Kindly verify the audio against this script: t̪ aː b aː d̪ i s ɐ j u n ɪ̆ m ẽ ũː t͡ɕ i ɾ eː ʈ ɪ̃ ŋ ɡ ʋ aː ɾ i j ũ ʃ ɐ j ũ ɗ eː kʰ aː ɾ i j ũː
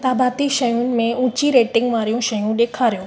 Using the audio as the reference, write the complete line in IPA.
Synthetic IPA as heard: t̪ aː b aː t̪ i ʃ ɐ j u n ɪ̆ m ẽ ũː t͡ɕ i ɾ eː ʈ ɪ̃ ŋ ɡ ʋ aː ɾ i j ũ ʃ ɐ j ũ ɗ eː kʰ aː ɾ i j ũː